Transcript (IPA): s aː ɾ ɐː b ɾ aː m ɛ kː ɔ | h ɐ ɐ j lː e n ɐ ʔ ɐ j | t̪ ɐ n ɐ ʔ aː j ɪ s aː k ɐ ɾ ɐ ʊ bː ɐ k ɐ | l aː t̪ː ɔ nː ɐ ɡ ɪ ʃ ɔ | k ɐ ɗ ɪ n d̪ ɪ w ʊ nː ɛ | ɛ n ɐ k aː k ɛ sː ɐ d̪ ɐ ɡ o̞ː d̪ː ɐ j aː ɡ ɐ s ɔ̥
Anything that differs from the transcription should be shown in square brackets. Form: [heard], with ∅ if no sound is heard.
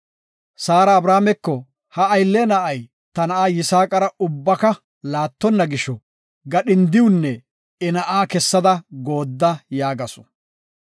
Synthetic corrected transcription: s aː ɾ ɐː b ɾ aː m ɛ kː ɔ | h ɐ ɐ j lː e n ɐ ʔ ɐ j | t̪ ɐ n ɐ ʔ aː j ɪ s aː [kʼ] ɐ ɾ ɐ ʊ bː ɐ k ɐ | l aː t̪ː ɔ nː ɐ ɡ ɪ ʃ ɔ | [ɡ] ɐ ɗ ɪ n d̪ ɪ w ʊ nː ɛ | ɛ n ɐ [ʔ] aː k ɛ sː ɐ d̪ ɐ ɡ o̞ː d̪ː ɐ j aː ɡ ɐ s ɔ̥